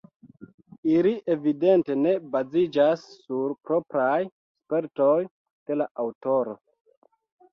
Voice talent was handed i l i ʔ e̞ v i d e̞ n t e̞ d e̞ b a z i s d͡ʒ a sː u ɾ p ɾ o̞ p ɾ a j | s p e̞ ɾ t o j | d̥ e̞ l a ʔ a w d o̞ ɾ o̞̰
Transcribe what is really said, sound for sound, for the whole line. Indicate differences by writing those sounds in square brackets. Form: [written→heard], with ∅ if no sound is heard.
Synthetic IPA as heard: i l i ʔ e̞ v i d e̞ n t e̞ [d→n] e̞ b a z i [s→∅] d͡ʒ a sː u ɾ p ɾ o̞ p ɾ a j | s p e̞ ɾ t o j | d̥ e̞ l a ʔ a w [d→t] o̞ ɾ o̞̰